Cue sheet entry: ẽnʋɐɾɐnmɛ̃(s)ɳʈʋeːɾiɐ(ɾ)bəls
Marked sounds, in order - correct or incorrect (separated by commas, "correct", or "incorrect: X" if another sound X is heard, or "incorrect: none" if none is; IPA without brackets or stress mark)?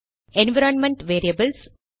incorrect: none, incorrect: none